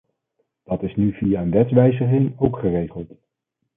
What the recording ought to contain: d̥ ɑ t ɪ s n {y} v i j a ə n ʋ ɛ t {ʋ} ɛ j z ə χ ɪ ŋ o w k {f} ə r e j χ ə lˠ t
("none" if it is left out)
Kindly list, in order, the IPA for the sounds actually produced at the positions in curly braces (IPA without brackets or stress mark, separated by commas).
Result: y, ʋ, χ